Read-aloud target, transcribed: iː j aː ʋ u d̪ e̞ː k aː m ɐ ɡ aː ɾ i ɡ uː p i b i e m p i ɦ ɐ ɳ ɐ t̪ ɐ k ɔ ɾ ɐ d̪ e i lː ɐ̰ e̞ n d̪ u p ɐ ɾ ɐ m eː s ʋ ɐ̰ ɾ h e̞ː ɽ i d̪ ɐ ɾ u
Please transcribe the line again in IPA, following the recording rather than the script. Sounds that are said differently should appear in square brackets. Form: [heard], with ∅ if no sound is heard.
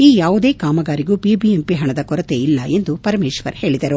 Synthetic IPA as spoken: iː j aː ʋ u d̪ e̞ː k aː m ɐ ɡ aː ɾ i ɡ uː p i b i e m p i ɦ ɐ ɳ ɐ [d̪] ɐ k ɔ ɾ ɐ [t̪] e i lː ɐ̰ e̞ n d̪ u p ɐ ɾ ɐ m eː [ʃ] ʋ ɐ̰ ɾ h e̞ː [ɭ] i d̪ ɐ ɾ u